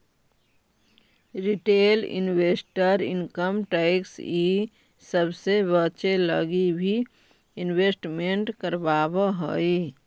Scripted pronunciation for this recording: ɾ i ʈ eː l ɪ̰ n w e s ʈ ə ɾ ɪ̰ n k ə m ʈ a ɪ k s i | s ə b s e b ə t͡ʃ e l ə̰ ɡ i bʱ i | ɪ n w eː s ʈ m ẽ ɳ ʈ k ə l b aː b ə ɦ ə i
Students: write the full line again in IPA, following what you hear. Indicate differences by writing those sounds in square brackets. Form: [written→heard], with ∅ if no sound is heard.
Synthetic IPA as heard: ɾ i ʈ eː l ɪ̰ n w e s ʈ ə ɾ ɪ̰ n k ə m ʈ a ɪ k s i | s ə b s e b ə t͡ʃ e l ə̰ ɡ i bʱ i | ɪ n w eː s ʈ m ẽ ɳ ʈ k ə [l→ɾ] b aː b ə ɦ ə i